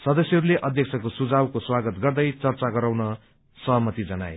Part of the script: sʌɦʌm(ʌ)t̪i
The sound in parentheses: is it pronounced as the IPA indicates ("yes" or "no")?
yes